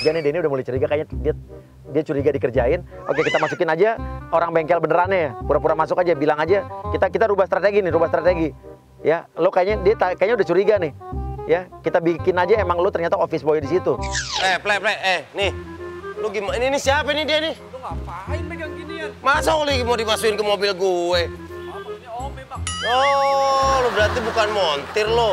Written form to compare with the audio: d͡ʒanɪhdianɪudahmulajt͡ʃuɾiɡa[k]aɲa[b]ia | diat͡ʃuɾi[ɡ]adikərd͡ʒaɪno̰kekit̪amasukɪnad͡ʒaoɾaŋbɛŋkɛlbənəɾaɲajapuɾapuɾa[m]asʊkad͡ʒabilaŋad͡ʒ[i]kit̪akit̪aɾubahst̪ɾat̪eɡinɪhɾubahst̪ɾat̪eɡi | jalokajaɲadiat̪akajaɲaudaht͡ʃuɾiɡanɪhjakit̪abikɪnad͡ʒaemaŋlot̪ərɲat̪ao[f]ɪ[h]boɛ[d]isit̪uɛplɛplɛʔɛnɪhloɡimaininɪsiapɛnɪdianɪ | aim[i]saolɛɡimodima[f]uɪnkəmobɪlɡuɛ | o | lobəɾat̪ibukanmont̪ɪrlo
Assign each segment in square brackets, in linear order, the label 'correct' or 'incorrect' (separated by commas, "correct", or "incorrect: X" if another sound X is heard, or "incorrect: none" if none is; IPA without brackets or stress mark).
correct, incorrect: d, correct, correct, incorrect: a, correct, incorrect: s, correct, incorrect: a, incorrect: s